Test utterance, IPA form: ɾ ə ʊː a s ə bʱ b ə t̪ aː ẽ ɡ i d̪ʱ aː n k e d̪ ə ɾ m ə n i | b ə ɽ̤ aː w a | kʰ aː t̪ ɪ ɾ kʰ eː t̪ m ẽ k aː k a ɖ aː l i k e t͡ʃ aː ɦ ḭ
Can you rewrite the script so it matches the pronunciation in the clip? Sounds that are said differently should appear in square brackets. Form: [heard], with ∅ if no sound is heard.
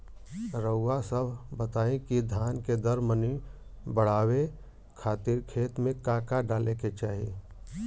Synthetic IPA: ɾ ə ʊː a s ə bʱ b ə t̪ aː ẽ [k] i d̪ʱ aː n k e d̪ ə ɾ m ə n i | b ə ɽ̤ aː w [e] | kʰ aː t̪ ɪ ɾ kʰ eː t̪ m ẽ k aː k a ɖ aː l [e] k e t͡ʃ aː ɦ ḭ